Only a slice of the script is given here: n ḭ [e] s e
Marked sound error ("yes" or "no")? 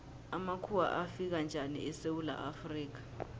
yes